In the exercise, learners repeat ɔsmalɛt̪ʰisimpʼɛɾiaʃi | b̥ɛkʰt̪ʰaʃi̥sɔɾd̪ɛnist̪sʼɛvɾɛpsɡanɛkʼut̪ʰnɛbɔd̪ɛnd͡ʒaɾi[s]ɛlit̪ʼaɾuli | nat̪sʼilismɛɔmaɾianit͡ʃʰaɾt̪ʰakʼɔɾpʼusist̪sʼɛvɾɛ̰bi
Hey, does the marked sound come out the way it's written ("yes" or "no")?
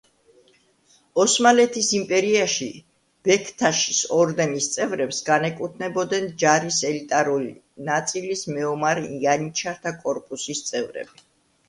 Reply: yes